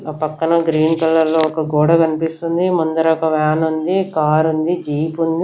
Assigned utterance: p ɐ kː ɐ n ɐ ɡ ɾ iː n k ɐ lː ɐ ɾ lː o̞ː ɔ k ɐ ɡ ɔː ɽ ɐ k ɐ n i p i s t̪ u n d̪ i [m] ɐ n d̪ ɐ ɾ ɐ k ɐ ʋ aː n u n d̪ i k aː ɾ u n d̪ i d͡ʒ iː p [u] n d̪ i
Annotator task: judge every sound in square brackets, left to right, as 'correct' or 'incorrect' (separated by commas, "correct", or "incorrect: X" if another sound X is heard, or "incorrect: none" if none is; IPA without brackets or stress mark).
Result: correct, correct